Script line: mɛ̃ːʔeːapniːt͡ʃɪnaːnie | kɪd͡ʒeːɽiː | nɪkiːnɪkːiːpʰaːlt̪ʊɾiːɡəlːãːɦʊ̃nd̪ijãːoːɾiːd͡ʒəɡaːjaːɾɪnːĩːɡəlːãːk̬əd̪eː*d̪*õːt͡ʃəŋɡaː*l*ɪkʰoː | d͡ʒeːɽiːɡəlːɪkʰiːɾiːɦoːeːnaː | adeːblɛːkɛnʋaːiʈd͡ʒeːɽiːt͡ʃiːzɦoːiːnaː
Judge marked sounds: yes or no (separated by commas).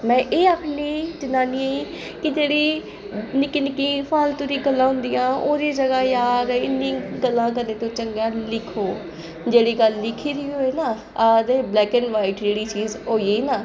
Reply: no, yes